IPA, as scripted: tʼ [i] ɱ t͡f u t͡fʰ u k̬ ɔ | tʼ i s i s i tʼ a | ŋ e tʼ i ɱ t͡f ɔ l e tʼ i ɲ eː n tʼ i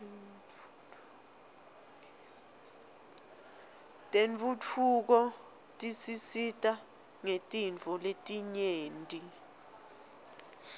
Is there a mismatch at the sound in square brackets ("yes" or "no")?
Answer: yes